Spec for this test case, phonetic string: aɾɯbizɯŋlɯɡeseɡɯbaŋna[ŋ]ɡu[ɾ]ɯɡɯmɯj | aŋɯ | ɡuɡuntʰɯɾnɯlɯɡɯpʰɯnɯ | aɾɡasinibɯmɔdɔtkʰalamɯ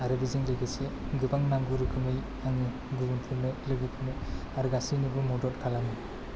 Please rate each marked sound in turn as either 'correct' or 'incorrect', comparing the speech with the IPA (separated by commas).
correct, correct